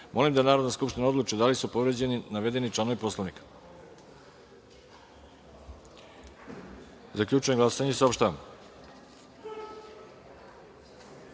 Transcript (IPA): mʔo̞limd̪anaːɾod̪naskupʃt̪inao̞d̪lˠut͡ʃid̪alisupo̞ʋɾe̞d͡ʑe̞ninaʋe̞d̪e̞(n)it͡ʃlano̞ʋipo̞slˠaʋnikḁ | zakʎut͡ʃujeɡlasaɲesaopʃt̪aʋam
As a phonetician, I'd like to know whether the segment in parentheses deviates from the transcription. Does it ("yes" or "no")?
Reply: no